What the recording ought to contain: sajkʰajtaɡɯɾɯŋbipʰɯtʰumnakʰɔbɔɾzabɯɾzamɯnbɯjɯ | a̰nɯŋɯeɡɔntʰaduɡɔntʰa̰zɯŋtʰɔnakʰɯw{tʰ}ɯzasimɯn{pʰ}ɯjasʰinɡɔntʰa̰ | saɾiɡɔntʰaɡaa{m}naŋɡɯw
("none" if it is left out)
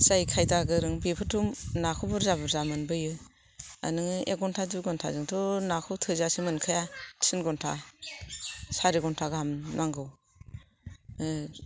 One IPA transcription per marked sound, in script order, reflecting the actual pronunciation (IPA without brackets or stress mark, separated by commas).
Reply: tʰ, kʰ, m